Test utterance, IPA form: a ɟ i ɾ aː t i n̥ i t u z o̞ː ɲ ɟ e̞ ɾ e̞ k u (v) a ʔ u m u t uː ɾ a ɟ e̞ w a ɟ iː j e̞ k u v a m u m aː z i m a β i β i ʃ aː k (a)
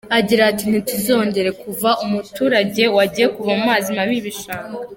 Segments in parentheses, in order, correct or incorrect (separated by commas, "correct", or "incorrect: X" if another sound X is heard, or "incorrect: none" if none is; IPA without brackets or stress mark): correct, correct